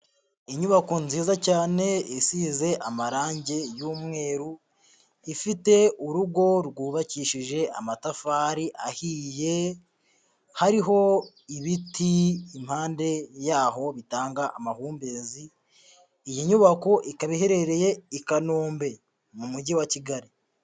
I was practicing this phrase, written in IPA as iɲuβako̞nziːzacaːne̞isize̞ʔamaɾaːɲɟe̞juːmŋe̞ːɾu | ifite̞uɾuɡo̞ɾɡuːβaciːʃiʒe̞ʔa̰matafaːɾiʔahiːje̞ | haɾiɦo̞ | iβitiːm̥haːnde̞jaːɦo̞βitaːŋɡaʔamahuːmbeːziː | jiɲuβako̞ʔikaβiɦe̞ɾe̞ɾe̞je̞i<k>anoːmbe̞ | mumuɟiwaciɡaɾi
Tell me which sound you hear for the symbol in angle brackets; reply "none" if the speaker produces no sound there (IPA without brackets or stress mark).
k